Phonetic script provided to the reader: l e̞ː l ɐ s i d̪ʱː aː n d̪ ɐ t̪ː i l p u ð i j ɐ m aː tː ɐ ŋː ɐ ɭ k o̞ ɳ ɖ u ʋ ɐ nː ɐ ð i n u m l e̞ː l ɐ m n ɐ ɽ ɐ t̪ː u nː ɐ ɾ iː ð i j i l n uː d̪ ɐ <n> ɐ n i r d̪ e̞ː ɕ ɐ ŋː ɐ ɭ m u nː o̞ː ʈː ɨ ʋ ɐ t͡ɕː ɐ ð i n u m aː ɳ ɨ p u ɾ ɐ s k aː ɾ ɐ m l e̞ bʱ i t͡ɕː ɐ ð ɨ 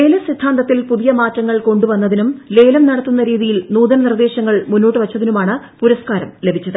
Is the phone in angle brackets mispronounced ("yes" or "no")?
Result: no